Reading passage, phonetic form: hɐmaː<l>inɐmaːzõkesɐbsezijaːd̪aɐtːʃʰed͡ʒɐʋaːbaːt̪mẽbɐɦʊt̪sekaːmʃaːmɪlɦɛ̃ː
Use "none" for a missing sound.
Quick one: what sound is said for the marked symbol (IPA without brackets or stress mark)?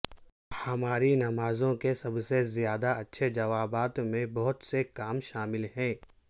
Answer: ɾ